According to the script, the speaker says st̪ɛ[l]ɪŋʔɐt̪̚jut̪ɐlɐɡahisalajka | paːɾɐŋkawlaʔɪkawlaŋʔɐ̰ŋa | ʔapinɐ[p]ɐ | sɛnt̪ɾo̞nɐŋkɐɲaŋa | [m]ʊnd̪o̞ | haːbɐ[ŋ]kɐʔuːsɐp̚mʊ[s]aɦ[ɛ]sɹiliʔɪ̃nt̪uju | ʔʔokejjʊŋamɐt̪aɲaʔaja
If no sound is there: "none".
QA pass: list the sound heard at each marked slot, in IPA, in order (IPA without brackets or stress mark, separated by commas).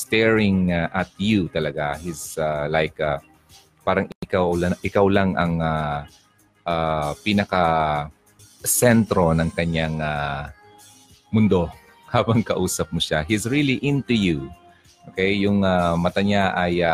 ɹ, k, m, ŋ, ʃ, i